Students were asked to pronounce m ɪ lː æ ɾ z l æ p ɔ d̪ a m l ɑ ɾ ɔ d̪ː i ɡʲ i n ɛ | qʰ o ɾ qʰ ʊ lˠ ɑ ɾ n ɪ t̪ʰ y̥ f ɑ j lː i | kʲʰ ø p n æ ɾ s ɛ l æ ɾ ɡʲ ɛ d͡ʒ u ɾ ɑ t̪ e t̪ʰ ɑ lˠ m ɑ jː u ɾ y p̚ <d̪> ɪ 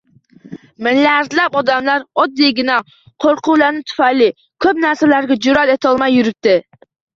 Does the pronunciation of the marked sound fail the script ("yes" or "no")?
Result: yes